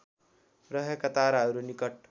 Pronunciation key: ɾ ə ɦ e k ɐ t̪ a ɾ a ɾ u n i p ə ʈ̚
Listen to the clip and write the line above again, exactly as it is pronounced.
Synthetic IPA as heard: ɾ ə ɦ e k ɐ t̪ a ɾ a ɾ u n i k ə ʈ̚

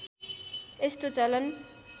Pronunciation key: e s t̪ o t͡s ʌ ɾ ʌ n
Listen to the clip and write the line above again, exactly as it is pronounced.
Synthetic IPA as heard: e s t̪ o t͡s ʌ l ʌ n

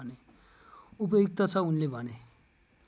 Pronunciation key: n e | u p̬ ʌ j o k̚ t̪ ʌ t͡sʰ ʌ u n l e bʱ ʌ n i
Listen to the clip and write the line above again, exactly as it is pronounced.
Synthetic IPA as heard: n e | u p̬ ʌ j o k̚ t̪ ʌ t͡sʰ ʌ u n l e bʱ ʌ n e

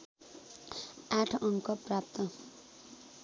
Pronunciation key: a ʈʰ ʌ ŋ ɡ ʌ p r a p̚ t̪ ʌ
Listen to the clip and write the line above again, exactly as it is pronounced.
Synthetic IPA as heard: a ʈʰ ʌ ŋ k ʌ p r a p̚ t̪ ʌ

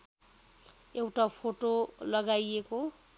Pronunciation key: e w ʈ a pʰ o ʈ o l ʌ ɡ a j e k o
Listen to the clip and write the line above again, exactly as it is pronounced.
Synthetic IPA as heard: e w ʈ a pʰ o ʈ o l ʌ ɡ a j e k o

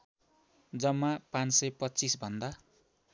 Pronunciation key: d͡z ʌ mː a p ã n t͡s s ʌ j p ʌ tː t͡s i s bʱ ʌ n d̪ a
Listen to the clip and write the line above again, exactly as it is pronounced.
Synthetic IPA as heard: d͡z ʌ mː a p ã n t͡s s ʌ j p ʌ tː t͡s i s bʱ ʌ n d̪ a

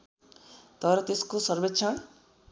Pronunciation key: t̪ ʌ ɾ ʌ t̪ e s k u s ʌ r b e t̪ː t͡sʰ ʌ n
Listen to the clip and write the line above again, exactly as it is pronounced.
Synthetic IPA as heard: t̪ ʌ ɾ ʌ t̪ e s k o s ʌ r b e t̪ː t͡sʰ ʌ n

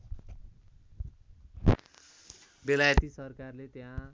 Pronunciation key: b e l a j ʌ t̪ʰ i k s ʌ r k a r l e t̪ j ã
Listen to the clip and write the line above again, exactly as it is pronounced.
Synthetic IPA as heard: b e l a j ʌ t̪ i s ʌ r k a r l e t̪ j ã

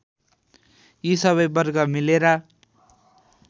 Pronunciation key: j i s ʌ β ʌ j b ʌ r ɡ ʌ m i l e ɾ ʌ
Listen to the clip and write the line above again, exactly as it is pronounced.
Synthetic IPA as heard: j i s ʌ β ʌ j b ʌ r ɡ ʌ m i l e ɾ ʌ

